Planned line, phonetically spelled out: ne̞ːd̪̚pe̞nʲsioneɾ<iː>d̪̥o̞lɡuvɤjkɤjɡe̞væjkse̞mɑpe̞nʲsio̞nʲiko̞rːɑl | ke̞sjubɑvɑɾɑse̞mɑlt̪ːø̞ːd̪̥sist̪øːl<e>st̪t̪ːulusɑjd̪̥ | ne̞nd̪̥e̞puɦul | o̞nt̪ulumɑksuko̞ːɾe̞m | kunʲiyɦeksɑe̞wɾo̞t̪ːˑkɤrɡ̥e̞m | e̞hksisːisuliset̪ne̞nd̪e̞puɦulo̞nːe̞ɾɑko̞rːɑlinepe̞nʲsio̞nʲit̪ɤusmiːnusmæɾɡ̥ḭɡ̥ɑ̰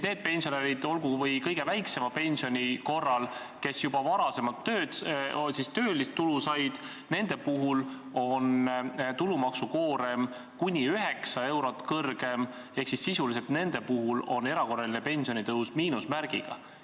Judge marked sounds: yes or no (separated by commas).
no, no